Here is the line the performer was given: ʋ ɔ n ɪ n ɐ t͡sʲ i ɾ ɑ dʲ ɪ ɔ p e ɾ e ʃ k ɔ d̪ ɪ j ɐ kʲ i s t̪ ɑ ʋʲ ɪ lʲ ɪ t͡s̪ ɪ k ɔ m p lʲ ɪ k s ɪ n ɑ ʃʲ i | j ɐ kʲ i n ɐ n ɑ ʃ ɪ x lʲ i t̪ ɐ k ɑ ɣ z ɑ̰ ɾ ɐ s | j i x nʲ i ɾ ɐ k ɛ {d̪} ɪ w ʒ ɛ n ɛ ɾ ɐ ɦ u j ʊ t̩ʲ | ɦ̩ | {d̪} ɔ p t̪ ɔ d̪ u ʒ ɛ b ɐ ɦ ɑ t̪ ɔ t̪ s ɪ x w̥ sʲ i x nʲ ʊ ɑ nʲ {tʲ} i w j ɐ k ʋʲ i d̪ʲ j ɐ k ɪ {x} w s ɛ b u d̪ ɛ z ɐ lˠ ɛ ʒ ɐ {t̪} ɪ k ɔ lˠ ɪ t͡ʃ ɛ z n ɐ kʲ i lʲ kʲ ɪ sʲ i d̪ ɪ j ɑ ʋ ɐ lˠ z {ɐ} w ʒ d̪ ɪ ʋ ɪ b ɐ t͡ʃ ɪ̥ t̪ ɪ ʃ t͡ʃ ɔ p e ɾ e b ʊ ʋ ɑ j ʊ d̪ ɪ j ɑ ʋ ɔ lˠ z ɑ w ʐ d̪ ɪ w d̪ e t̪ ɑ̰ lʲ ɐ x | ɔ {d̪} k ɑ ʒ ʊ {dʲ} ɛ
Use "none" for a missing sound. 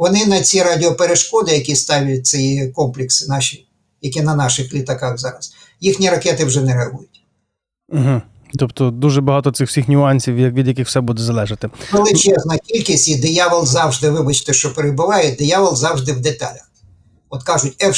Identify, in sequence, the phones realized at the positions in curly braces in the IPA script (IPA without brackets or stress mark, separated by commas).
t̪, t̪, sʲ, x, t̪, ɑ, t̪, tʲ